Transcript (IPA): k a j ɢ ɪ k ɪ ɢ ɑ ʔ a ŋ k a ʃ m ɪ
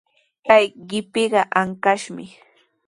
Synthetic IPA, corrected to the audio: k a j ɢ ɪ p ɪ ɢ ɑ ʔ a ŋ k a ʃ m ɪ